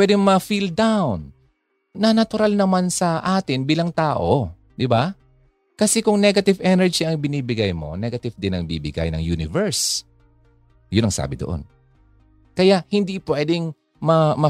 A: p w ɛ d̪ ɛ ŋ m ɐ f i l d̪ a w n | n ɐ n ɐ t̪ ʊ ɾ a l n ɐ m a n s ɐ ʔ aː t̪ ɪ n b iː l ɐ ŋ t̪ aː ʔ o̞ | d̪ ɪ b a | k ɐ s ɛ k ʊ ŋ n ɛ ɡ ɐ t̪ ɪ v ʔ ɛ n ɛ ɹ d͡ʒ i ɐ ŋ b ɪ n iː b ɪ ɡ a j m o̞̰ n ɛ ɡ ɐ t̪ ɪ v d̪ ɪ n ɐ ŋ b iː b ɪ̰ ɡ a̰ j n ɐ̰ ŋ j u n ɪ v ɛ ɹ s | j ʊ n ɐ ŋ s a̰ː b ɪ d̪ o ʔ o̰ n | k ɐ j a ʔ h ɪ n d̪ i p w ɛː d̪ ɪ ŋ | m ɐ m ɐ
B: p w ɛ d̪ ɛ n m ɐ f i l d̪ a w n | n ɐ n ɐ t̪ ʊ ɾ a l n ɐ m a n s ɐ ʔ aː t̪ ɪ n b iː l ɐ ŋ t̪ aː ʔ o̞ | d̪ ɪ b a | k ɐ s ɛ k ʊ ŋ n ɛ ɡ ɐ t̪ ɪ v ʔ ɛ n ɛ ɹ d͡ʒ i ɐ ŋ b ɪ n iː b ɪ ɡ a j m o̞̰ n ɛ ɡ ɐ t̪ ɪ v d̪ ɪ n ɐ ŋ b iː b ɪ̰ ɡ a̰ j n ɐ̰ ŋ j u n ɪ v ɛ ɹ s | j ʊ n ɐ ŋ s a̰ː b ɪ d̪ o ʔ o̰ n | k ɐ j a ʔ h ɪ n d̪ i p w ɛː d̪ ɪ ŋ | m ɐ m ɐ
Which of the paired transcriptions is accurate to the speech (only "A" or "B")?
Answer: A